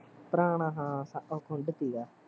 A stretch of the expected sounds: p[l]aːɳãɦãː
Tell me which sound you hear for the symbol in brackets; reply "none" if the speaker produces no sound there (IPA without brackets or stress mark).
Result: ɾ